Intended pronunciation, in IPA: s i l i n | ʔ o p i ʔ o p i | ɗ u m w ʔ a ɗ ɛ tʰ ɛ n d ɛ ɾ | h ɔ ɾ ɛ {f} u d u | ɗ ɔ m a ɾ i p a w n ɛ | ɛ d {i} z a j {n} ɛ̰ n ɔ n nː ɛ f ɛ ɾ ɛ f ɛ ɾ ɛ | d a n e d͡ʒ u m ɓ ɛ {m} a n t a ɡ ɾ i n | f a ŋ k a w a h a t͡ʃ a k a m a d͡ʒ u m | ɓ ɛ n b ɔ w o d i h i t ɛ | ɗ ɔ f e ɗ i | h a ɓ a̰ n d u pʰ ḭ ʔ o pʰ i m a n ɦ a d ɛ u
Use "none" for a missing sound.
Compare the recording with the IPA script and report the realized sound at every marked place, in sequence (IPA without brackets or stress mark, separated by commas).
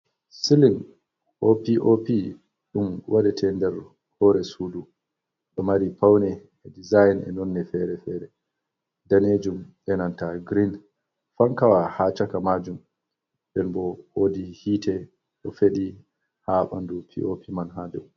s, i, n, n